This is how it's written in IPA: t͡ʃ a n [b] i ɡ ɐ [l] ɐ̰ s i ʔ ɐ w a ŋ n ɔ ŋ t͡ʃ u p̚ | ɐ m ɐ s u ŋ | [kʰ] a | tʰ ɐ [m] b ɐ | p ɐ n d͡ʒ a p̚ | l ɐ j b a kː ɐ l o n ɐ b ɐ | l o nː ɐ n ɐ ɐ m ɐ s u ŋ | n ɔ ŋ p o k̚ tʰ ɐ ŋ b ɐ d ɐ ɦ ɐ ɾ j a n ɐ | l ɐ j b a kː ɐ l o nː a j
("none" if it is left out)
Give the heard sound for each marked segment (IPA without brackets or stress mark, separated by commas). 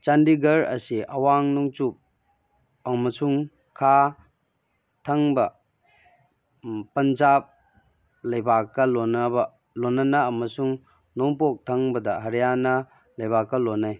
d, ɾ, kʰ, ŋ